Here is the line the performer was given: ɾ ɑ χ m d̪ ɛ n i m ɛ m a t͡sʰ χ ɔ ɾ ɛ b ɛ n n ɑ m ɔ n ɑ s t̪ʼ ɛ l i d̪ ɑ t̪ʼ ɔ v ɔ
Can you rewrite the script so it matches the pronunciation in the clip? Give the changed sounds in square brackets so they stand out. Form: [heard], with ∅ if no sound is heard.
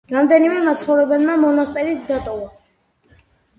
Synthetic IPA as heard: ɾ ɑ [∅] m d̪ ɛ n i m ɛ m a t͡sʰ χ ɔ ɾ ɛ b ɛ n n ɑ m ɔ n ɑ s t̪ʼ ɛ [ɾ] i d̪ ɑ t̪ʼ ɔ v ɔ